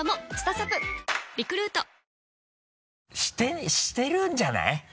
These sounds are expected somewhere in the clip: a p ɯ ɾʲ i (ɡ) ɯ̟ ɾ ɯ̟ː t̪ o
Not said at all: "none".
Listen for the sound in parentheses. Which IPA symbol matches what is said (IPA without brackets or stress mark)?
k